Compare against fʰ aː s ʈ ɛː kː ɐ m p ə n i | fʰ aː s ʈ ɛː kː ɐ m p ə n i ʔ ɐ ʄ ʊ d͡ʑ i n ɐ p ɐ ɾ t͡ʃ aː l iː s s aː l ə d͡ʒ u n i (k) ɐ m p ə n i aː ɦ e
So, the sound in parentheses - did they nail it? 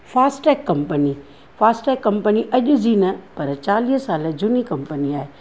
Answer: yes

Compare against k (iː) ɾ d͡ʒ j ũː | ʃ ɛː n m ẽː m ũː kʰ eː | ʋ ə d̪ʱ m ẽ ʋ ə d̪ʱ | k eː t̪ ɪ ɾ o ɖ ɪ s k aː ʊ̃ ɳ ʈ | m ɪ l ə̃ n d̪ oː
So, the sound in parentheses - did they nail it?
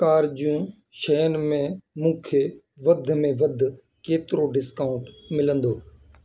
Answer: no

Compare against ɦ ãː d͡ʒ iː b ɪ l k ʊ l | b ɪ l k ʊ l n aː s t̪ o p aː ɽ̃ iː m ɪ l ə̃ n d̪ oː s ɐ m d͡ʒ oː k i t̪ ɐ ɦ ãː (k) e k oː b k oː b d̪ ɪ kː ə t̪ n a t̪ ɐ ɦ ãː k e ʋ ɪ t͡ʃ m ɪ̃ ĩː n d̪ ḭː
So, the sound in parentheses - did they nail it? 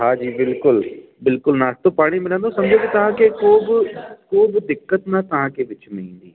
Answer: yes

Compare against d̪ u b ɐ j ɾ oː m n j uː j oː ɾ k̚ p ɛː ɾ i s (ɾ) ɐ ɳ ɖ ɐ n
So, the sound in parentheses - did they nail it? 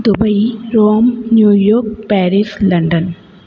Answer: no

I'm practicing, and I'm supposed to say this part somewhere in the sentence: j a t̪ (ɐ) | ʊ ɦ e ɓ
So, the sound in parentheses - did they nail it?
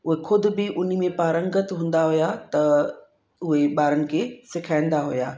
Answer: yes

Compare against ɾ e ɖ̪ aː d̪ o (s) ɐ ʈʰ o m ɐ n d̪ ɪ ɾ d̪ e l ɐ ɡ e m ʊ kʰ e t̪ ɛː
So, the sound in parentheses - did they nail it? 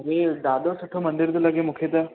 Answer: yes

